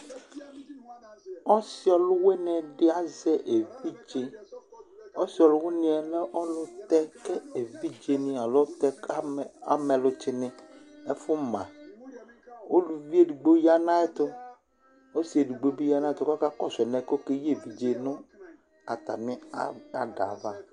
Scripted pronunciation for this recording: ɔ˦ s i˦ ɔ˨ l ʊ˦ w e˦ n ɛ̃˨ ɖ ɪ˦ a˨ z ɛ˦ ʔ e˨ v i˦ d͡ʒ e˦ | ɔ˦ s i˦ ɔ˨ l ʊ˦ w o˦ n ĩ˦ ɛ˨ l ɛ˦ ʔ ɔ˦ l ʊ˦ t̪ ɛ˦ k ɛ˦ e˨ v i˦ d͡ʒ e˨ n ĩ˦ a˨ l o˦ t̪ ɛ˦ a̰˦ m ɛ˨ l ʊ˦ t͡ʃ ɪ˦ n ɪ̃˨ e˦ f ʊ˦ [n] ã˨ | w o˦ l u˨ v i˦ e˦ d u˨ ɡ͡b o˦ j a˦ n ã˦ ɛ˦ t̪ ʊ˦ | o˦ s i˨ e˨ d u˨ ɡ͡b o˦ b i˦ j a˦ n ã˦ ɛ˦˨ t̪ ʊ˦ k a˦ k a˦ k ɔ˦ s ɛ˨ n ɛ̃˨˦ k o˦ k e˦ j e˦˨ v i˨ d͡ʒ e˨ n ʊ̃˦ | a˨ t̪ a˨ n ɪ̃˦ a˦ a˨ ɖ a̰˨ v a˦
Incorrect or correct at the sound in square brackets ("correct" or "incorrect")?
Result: incorrect